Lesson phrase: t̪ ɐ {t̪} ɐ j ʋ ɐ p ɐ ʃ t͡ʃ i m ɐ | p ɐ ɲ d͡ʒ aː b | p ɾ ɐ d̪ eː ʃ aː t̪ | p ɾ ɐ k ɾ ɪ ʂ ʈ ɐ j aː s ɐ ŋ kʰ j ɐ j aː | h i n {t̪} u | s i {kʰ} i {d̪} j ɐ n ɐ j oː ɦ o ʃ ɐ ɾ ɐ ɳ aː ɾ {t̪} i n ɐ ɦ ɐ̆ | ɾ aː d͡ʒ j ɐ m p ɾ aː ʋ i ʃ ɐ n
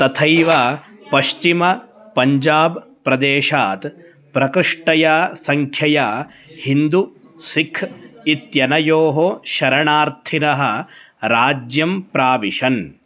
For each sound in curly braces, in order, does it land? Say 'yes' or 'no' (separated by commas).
no, no, yes, no, no